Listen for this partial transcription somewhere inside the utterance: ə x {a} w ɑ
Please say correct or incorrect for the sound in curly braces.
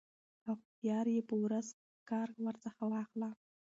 correct